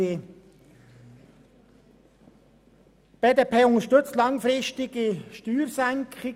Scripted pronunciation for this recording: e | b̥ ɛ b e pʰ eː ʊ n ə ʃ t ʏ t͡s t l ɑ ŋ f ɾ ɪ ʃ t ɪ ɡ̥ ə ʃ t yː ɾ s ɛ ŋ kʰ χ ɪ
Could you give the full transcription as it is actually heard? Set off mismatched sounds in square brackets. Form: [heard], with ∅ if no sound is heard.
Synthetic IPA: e | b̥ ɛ [d] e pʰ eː ʊ n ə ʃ t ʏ t͡s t l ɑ ŋ f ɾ ɪ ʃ t ɪ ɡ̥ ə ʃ t yː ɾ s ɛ ŋ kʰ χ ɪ